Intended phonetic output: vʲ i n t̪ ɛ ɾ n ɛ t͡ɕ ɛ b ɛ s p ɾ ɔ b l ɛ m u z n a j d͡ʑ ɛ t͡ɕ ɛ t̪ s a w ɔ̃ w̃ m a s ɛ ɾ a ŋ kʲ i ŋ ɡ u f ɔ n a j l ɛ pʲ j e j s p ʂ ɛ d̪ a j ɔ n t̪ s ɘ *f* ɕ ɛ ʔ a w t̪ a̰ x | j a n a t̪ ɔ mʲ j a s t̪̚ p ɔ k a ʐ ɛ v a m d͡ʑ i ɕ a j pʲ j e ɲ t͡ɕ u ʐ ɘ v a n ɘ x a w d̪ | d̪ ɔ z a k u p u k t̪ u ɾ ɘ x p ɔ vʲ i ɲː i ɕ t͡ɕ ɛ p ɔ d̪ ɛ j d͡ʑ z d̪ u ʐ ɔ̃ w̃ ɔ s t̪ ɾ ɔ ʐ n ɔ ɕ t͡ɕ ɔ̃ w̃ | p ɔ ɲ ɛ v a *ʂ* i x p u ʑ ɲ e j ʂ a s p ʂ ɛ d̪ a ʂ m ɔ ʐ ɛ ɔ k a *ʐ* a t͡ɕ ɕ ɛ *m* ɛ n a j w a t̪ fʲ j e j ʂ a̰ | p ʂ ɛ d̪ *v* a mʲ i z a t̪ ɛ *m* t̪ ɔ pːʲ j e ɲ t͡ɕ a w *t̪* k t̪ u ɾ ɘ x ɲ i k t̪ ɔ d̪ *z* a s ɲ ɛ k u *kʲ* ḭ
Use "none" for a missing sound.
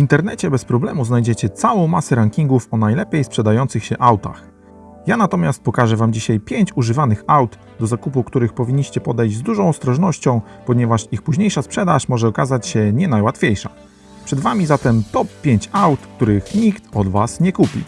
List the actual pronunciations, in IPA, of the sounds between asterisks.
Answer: x, ʂ, z, ɲ, v, m, t̪, v, pʲ

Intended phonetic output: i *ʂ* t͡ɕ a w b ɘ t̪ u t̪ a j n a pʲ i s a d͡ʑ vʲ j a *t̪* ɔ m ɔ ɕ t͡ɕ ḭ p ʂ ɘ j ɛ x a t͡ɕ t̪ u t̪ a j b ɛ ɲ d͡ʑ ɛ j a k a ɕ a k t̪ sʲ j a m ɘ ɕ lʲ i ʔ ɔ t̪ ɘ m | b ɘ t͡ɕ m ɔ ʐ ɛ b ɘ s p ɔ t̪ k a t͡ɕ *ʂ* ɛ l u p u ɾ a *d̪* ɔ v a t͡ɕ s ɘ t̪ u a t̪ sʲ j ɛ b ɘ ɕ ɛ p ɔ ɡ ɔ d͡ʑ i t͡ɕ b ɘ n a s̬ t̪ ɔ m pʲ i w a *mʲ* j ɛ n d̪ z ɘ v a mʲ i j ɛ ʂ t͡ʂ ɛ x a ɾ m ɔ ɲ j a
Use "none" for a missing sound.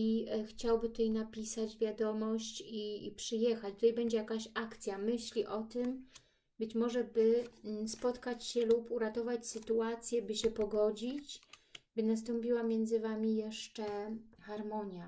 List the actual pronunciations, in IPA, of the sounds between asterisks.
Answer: x, d̪, ɕ, t̪, mʲ

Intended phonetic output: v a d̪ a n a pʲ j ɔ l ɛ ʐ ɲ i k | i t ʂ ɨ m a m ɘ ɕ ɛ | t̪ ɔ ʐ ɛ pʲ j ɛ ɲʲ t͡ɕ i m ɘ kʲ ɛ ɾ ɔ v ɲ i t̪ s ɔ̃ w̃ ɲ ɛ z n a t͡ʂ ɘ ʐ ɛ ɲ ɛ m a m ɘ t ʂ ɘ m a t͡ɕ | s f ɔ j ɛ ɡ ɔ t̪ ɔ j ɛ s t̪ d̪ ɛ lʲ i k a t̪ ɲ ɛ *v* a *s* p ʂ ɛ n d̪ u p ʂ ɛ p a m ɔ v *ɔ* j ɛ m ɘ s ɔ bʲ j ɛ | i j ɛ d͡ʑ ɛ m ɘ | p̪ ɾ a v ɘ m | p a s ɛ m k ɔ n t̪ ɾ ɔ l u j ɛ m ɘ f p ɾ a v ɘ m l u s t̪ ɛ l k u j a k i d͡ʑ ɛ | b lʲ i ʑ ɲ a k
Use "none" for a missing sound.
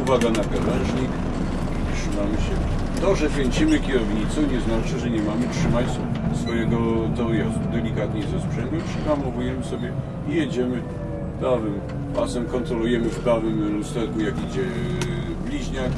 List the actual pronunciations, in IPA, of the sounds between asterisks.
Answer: z, s, u

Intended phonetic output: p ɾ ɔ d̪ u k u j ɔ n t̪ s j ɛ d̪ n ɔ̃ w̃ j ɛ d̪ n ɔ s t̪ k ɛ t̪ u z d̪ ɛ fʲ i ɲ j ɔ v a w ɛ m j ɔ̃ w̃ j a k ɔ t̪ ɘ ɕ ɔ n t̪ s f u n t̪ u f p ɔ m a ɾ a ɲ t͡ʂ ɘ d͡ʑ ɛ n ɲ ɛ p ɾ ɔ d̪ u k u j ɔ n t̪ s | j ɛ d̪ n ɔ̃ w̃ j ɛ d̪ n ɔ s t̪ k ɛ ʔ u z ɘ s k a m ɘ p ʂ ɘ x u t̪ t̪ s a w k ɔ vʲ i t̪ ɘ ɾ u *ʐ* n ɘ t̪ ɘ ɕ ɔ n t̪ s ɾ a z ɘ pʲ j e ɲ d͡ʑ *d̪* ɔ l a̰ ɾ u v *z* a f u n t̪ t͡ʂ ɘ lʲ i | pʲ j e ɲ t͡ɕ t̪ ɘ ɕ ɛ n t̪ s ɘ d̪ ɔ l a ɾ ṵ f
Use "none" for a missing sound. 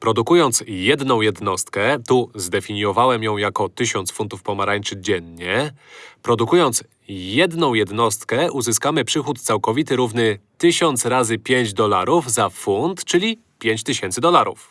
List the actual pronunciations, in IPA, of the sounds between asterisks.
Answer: v, d̪, z

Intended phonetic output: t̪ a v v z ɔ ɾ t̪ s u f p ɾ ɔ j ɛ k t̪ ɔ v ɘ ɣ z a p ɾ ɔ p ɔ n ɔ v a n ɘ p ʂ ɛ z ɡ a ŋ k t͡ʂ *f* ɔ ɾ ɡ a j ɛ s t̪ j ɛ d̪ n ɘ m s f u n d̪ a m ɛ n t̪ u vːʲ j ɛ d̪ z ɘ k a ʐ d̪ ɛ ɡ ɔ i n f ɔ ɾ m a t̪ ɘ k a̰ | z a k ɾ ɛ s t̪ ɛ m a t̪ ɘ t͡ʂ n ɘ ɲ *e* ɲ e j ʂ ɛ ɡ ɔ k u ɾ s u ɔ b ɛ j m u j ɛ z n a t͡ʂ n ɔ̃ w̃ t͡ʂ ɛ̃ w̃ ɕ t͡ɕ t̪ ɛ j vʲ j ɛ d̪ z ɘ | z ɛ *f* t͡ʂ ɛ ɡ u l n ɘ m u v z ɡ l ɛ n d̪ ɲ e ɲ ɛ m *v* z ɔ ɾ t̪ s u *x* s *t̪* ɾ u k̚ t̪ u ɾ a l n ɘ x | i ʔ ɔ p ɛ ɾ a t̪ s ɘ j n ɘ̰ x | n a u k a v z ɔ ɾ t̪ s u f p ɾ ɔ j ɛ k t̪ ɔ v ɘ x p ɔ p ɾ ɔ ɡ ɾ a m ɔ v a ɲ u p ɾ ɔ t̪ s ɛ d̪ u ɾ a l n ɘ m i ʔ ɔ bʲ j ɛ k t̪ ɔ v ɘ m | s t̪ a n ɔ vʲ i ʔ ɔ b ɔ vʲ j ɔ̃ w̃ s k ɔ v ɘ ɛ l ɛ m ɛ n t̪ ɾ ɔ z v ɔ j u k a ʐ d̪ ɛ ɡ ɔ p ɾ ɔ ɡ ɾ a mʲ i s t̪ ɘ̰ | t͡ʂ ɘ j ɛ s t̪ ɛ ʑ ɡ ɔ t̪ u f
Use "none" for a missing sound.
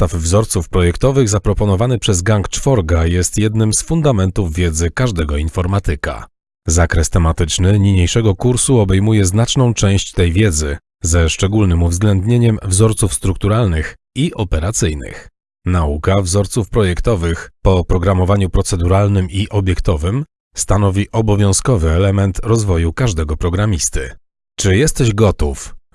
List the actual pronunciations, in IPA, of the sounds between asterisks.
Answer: f, i, ʂ, v, f, t̪

